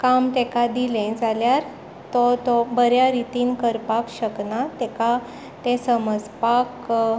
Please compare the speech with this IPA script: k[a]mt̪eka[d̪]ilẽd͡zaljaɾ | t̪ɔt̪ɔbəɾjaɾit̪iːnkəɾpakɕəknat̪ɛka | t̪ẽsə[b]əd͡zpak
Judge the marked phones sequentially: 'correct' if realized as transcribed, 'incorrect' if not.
correct, correct, incorrect

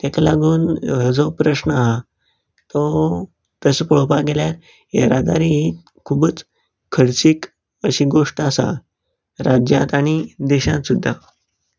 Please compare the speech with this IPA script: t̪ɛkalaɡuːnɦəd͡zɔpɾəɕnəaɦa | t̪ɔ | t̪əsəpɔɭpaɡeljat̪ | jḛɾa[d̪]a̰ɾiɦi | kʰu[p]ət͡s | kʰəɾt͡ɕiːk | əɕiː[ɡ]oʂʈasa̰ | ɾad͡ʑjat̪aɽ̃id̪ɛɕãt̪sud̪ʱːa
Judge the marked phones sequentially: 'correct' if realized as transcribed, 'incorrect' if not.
correct, incorrect, correct

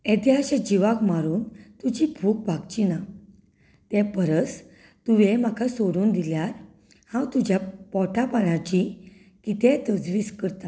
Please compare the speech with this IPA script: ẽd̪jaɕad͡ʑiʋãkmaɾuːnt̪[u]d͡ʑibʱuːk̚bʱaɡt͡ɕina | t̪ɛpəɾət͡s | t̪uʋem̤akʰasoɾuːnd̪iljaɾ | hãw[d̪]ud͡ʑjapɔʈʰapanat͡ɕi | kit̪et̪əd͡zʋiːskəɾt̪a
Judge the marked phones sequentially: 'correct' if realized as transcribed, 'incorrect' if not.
correct, incorrect

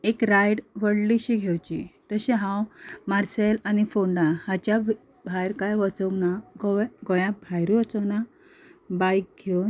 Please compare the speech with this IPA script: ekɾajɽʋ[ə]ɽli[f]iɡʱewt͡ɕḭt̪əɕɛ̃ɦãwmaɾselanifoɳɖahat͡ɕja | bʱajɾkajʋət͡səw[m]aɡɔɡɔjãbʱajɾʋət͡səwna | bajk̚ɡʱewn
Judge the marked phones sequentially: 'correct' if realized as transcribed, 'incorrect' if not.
correct, incorrect, incorrect

